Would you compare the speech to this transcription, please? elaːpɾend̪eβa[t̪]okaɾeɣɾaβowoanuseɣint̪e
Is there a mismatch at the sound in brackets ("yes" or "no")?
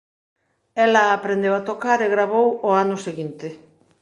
no